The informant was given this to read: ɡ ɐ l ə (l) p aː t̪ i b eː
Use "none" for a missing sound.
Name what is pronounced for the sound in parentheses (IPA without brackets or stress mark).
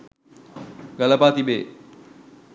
none